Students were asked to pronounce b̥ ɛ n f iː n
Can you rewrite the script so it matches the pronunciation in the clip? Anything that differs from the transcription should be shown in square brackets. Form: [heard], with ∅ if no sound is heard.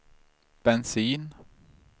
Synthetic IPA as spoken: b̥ ɛ n [s] iː n